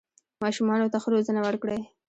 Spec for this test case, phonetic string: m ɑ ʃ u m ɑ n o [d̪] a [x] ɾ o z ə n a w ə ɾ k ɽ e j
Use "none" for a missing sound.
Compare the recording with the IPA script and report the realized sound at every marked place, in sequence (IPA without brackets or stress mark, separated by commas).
t̪, x